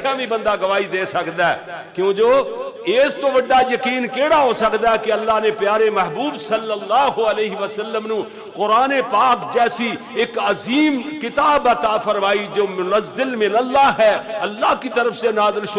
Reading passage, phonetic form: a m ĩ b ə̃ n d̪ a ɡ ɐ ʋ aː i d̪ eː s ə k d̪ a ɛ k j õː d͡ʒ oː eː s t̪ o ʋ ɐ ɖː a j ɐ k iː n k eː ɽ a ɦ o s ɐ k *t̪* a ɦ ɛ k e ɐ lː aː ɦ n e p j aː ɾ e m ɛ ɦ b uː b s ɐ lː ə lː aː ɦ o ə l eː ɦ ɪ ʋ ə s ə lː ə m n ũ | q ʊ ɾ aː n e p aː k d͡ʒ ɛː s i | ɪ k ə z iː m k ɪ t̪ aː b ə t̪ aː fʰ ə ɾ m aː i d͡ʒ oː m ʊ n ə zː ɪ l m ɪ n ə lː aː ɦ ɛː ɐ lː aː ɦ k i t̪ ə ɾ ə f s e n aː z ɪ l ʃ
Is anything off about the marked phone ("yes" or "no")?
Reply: yes